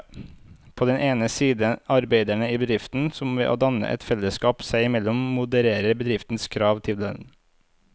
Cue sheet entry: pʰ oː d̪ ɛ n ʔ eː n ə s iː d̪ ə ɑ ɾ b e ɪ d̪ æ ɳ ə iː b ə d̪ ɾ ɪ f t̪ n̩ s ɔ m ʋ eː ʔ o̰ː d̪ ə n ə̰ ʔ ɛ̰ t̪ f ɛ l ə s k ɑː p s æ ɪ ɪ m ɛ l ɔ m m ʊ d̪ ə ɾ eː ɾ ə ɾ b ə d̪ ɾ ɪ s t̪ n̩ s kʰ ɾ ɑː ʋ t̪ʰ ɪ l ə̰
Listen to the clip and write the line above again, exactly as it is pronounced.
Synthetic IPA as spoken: pʰ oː d̪ ɛ n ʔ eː n ə s iː d̪ ə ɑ ɾ b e ɪ d̪ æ ɳ ə iː b ə d̪ ɾ ɪ f t̪ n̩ s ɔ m ʋ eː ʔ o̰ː d̪ ɑ n ə̰ ʔ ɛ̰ t̪ f ɛ l ə s k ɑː p s æ ɪ ɪ m ɛ l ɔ m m ʊ d̪ ə ɾ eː ɾ ə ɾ b ə d̪ ɾ ɪ f t̪ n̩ s kʰ ɾ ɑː ʋ t̪ʰ ɪ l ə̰